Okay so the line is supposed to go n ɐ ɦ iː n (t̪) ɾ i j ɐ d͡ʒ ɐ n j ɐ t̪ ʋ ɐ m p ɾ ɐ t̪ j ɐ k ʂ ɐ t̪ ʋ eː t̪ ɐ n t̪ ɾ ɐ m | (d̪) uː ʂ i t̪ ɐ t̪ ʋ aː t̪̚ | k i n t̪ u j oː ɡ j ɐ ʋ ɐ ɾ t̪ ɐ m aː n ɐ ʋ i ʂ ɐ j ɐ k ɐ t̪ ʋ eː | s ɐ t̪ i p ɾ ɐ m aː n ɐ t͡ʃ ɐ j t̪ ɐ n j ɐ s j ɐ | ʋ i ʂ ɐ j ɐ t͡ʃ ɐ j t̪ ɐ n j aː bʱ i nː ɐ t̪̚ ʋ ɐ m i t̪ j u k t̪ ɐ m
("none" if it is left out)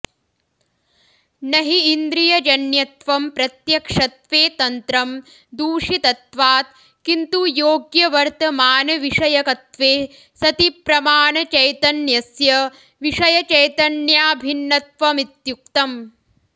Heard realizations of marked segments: d̪, d̪

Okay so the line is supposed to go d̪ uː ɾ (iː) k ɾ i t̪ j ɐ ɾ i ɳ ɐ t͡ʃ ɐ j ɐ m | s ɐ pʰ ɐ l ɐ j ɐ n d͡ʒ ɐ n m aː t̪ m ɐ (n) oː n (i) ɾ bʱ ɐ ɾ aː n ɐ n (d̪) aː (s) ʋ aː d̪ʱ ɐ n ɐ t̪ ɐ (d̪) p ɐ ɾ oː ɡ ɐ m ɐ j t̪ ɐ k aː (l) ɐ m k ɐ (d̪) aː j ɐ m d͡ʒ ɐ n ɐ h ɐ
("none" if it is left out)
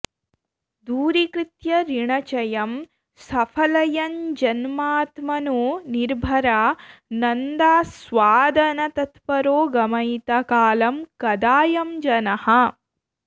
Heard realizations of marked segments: i, n, i, d̪, s, t̪, l, d̪

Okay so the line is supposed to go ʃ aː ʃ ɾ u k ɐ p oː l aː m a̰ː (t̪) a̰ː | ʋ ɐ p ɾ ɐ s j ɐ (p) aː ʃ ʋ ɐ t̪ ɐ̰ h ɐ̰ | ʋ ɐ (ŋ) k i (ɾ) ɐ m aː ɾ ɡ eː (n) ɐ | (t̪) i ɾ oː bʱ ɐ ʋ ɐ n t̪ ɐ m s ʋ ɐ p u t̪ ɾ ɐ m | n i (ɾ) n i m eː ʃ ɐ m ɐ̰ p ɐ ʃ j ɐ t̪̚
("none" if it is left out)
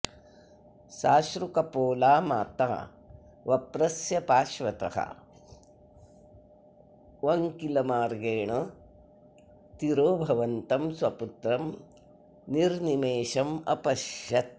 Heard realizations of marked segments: t̪, p, ŋ, l, ɳ, t̪, ɾ

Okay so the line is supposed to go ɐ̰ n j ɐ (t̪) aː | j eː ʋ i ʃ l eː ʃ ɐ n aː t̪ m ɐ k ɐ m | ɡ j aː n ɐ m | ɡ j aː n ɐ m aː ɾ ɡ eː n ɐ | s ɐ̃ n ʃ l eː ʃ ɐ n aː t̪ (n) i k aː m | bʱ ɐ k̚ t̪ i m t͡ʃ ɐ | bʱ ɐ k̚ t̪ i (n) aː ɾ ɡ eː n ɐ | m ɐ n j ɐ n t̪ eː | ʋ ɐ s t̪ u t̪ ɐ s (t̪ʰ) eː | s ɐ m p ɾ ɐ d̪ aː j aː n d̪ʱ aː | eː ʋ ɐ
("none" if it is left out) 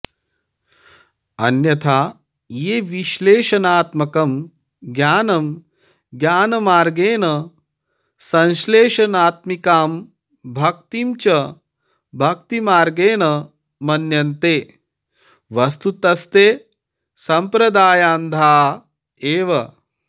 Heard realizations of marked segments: t̪ʰ, m, m, t̪

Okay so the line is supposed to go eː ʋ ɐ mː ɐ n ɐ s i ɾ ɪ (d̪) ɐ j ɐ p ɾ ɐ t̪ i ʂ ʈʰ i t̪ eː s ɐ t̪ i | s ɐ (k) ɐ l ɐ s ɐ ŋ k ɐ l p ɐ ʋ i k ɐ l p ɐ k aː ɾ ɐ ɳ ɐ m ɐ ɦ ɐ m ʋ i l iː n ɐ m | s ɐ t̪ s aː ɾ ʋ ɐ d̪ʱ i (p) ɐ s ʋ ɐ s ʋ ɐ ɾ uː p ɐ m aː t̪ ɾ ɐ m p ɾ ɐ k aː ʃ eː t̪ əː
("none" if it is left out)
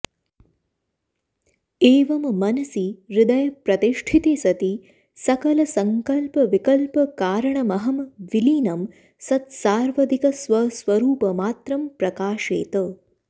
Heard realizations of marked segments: d̪, k, k

